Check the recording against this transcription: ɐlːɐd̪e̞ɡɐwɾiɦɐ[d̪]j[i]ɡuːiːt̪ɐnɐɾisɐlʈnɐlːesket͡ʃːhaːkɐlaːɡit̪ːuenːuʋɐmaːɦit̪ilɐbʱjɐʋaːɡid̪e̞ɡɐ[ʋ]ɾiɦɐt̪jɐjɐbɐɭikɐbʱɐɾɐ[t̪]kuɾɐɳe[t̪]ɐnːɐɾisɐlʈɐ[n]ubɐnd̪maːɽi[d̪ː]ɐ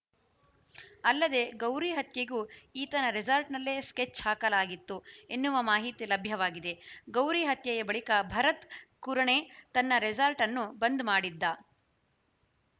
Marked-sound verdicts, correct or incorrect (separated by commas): incorrect, incorrect, incorrect, correct, correct, incorrect, correct